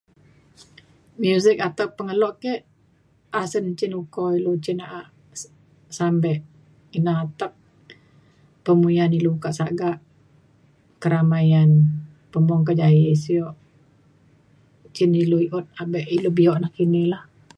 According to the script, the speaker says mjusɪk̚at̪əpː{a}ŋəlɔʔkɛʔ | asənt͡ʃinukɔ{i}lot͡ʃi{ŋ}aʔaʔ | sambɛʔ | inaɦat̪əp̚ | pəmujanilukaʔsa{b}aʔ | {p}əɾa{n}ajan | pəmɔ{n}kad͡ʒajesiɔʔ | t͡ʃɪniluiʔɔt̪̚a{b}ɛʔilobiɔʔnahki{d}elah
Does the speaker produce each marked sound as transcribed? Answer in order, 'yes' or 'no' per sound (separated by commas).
no, yes, no, no, no, no, no, yes, no